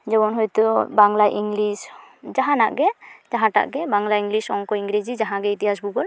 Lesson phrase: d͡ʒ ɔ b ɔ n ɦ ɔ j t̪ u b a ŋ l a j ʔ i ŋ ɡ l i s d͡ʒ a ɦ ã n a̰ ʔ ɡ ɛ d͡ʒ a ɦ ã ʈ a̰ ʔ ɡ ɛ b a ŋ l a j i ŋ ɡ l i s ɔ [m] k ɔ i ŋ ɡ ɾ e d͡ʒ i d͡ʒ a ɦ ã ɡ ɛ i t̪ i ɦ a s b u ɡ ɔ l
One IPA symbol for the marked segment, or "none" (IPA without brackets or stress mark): ŋ